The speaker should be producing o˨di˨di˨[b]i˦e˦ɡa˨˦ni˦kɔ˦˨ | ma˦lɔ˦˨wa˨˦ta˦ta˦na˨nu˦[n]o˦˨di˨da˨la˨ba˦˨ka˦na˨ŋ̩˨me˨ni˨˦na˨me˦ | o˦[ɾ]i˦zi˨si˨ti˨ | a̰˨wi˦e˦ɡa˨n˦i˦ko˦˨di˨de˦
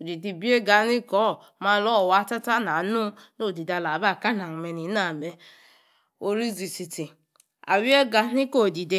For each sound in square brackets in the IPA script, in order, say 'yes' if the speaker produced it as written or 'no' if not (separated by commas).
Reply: yes, yes, yes